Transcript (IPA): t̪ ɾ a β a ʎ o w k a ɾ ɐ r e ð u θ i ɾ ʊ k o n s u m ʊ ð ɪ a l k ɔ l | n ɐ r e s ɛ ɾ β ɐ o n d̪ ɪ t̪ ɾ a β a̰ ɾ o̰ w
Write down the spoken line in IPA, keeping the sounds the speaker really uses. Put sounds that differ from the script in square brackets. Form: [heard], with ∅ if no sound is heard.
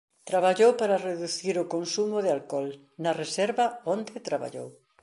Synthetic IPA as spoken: t̪ ɾ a β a ʎ o w [p] a ɾ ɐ r e ð u θ i ɾ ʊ k o n s u m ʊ ð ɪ a l k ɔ l | n ɐ r e s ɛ ɾ β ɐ o n d̪ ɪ t̪ ɾ a β a̰ [ʎ] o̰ w